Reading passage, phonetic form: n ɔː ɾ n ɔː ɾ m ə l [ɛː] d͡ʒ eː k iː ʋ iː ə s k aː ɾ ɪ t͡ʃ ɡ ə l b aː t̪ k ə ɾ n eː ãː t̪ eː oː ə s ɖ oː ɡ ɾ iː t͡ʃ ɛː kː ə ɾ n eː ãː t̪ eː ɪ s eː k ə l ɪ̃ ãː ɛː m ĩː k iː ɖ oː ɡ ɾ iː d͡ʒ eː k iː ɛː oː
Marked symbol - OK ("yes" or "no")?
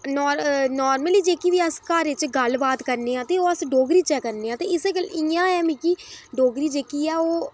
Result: no